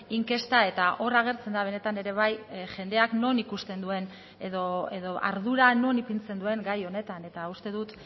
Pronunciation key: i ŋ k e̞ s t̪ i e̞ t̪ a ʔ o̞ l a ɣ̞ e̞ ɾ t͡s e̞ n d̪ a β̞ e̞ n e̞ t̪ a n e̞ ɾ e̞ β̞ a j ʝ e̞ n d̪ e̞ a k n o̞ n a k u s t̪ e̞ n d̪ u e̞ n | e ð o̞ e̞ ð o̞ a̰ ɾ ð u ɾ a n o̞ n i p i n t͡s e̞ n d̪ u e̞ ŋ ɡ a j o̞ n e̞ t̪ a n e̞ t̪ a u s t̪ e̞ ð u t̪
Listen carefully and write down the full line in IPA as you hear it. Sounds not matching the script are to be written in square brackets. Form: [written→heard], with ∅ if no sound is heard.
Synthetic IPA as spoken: i ŋ k e̞ s t̪ [i→a] e̞ t̪ a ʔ o̞ [l→r] a ɣ̞ e̞ ɾ t͡s e̞ n d̪ a β̞ e̞ n e̞ t̪ a n e̞ ɾ e̞ β̞ a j ʝ e̞ n d̪ e̞ a k n o̞ n [a→i] k u s t̪ e̞ n d̪ u e̞ n | e ð o̞ e̞ ð o̞ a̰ ɾ ð u ɾ a n o̞ n i p i n t͡s e̞ n d̪ u e̞ ŋ ɡ a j o̞ n e̞ t̪ a n e̞ t̪ a u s t̪ e̞ ð u t̪